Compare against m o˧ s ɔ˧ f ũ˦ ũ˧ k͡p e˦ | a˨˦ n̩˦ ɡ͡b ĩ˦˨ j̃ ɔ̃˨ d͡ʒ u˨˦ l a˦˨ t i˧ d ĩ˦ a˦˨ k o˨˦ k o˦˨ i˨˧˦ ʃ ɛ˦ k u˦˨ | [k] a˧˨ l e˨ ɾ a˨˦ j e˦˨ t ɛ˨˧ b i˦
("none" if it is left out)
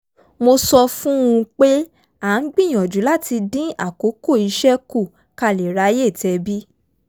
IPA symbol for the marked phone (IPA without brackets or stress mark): k